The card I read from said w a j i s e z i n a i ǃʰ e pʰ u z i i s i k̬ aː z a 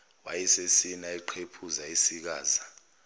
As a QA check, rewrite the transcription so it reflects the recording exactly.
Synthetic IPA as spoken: w a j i s e s i n a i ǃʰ e pʰ u z a i s i k̬ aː z a